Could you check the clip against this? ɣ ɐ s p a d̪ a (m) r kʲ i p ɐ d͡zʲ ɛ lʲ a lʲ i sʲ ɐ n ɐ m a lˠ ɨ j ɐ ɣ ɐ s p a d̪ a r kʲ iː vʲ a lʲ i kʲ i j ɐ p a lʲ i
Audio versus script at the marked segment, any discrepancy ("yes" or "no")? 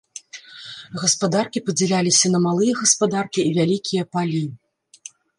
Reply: yes